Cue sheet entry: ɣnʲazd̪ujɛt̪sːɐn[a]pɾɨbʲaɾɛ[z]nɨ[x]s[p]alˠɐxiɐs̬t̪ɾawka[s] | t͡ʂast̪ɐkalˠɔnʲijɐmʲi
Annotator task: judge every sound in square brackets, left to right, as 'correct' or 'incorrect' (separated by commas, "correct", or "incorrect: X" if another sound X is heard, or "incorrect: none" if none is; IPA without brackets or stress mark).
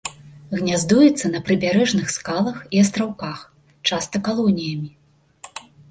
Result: incorrect: ɐ, incorrect: ʐ, correct, incorrect: k, incorrect: x